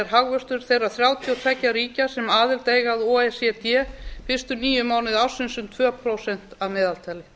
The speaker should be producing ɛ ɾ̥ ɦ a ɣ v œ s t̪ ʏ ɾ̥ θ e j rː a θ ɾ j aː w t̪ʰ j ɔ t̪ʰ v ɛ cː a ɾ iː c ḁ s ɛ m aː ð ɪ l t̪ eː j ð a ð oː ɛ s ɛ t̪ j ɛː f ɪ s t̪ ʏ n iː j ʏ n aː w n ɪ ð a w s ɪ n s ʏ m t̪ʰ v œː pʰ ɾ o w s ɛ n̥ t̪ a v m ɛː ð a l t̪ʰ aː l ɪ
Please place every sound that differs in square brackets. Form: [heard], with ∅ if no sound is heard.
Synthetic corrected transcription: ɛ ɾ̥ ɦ a ɣ v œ s t̪ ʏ ɾ̥ θ e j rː a θ ɾ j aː w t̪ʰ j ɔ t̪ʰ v ɛ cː a ɾ iː c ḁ s ɛ m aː ð ɪ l t̪ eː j [ɣ] a ð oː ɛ s ɛ t̪ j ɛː f ɪ s t̪ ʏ n iː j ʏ [m] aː w n ɪ ð a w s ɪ n s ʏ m t̪ʰ v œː pʰ ɾ o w s ɛ n̥ t̪ a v m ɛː ð a l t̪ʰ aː l ɪ

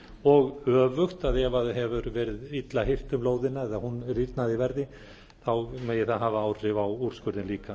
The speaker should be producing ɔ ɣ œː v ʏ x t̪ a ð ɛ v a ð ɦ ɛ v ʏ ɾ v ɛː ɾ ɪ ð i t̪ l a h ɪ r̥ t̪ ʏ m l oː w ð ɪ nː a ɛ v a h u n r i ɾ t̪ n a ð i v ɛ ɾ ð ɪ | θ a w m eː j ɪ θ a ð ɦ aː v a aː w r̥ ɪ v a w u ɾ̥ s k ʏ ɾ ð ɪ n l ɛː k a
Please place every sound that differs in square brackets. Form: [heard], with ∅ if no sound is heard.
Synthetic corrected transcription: ɔ ɣ œː v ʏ x t̪ a ð ɛ v a ð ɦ ɛ v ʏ ɾ v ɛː ɾ ɪ ð i t̪ l a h ɪ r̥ t̪ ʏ m l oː w ð ɪ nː a ɛ [ð] a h u n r i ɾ t̪ n a ð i v ɛ ɾ ð ɪ | θ a w m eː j ɪ θ a ð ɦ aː v a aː w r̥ ɪ v a w u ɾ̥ s k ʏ ɾ ð ɪ n l [iː] k a

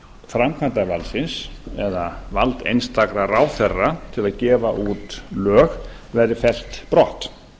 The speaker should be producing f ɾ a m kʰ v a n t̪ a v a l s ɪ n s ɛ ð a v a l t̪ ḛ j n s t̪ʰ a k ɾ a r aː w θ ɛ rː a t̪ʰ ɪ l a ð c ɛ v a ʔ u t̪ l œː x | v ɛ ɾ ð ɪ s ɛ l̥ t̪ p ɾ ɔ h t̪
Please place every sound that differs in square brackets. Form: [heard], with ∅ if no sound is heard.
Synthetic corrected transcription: f ɾ a m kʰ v a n t̪ a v a l s ɪ n s ɛ ð a v a l t̪ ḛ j n s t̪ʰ a k ɾ a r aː w θ ɛ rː a t̪ʰ ɪ l a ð c [ɛː] v a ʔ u t̪ l œː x | v ɛ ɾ ð ɪ [f] ɛ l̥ t̪ p ɾ ɔ h t̪

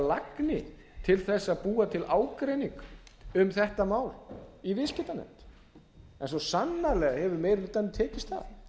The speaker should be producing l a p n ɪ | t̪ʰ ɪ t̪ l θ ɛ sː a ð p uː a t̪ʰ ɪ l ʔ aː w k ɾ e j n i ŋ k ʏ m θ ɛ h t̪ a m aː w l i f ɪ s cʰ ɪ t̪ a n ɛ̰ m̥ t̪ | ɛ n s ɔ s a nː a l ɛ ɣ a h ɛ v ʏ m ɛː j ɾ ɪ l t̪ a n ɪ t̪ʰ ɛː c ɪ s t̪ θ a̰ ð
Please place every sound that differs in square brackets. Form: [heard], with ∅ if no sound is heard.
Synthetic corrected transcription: l a [k] n ɪ | t̪ʰ ɪ [∅] l θ ɛ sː a ð p uː a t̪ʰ ɪ l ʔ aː w k ɾ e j n i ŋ k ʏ m θ ɛ h t̪ a m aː w l i [v] ɪ s [c] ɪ t̪ a n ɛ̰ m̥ t̪ | ɛ n s ɔ s a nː a l ɛ ɣ a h ɛ v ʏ m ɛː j ɾ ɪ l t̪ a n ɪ t̪ʰ ɛː c ɪ s t̪ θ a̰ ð

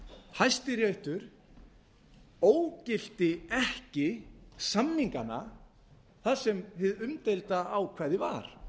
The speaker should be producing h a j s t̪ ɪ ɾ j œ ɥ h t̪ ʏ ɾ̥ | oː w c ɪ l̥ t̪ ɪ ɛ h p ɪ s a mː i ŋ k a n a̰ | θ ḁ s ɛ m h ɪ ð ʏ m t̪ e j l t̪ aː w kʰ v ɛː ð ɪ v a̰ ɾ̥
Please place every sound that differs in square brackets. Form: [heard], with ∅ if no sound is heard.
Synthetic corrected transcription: h a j s t̪ ɪ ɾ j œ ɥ h t̪ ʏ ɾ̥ | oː w c ɪ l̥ t̪ ɪ ɛ h [c] ɪ s a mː i ŋ k a n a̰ | θ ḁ s ɛ m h ɪ ð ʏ m t̪ e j l t̪ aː w kʰ v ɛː ð ɪ v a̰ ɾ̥

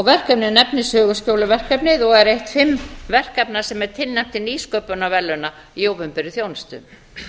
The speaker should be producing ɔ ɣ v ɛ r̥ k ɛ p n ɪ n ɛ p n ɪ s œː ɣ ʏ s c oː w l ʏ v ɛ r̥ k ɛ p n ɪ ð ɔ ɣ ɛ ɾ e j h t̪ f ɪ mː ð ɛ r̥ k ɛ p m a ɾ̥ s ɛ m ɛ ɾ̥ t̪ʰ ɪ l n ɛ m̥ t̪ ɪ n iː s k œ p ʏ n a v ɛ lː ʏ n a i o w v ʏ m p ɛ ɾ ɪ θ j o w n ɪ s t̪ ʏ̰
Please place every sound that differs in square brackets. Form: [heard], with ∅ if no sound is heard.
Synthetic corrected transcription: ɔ ɣ v ɛ r̥ k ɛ p n ɪ n ɛ p n ɪ s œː ɣ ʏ s c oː w l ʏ v ɛ r̥ k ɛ p n ɪ ð ɔ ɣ ɛ ɾ e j h t̪ f ɪ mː [v] ɛ r̥ k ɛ p [n] a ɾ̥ s ɛ m ɛ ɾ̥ t̪ʰ ɪ l n ɛ m̥ t̪ ɪ n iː s k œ p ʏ n a v ɛ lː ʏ n a i o w v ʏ m p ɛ ɾ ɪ θ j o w n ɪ s t̪ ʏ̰

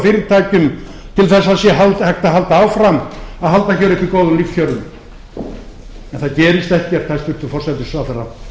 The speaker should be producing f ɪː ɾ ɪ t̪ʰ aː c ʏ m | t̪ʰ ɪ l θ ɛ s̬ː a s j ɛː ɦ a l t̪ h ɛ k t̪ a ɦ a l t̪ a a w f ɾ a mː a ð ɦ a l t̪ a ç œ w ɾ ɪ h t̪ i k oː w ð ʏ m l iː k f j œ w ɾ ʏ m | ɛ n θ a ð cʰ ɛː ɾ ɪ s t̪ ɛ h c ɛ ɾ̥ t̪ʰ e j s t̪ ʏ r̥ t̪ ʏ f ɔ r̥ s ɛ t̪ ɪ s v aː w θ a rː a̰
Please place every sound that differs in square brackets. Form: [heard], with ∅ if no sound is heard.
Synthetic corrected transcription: f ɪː ɾ ɪ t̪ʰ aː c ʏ m | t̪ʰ ɪ l θ ɛ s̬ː a s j [ɛ] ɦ a l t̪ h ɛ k t̪ a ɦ a l t̪ a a w f ɾ a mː a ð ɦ a l t̪ a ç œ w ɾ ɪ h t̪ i k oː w ð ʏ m l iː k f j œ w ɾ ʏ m | ɛ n θ a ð [c] ɛː ɾ ɪ s t̪ ɛ h c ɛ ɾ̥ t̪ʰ [a] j s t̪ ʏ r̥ t̪ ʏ f ɔ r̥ s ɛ t̪ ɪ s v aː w θ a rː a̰

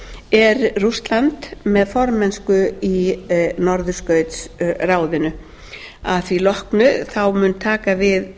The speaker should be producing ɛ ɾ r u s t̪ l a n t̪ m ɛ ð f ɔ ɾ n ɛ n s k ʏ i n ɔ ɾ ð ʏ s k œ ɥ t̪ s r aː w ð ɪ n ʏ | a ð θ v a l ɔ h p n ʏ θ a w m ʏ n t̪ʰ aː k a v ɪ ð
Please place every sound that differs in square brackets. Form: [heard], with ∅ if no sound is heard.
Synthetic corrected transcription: ɛ ɾ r u s t̪ l a n t̪ m ɛ ð f ɔ ɾ [m] ɛ n s k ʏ i n ɔ ɾ ð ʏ s k œ ɥ t̪ s r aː w ð ɪ n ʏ | a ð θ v [i] l ɔ h [k] n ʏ θ a w m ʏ n t̪ʰ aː k a v ɪ ð

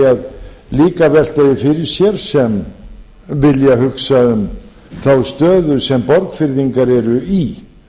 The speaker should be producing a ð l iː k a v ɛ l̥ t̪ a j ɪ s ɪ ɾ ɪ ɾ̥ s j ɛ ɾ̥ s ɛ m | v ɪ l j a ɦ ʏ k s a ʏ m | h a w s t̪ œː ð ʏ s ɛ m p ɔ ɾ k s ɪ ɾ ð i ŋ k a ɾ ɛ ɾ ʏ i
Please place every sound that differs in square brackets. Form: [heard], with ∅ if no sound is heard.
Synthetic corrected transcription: a ð l iː k a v ɛ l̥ t̪ a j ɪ [f] ɪ ɾ ɪ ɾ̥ s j ɛ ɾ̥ s ɛ m | v ɪ l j a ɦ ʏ k s a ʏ m | [θ] a w s t̪ œː ð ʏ s ɛ m p ɔ ɾ k [f] ɪ ɾ ð i ŋ k a ɾ ɛ ɾ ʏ i

